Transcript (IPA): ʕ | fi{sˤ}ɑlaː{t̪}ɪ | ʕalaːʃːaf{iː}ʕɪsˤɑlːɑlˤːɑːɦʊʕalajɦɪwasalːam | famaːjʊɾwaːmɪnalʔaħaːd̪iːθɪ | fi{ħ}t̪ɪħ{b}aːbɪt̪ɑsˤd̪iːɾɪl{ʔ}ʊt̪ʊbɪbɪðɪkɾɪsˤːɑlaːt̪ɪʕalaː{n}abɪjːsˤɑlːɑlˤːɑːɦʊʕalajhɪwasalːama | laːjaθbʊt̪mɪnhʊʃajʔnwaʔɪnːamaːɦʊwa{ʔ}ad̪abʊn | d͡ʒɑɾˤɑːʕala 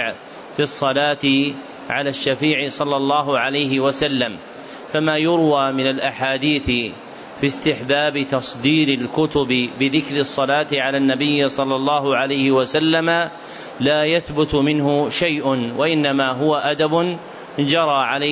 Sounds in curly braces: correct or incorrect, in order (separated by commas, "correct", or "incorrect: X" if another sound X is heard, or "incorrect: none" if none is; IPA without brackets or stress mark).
incorrect: sˤː, correct, correct, incorrect: s, correct, incorrect: k, incorrect: nː, correct